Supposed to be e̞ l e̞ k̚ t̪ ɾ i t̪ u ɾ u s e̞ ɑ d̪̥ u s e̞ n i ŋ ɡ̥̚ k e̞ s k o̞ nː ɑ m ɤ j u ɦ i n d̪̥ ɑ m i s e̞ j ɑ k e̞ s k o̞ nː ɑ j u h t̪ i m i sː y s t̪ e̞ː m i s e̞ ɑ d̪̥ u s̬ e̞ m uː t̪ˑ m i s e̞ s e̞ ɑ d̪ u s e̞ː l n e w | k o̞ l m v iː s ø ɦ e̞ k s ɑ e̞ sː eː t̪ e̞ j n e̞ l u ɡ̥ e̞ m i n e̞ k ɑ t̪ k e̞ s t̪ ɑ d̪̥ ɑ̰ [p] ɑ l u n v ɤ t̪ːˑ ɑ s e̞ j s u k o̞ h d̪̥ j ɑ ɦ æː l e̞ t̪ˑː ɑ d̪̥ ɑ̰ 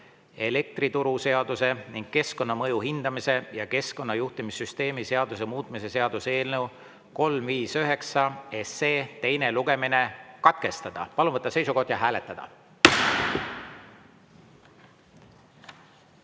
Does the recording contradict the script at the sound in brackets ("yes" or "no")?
no